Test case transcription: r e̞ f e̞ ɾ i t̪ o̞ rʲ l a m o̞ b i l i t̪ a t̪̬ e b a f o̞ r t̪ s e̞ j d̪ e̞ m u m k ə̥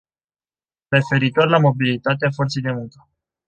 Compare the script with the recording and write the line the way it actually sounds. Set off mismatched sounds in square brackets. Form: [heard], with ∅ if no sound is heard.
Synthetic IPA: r e̞ f e̞ ɾ i t̪ o̞ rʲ l a m o̞ b i l i t̪ a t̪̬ e [∅] a f o̞ r t̪ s e̞ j d̪ e̞ m u [ŋ] k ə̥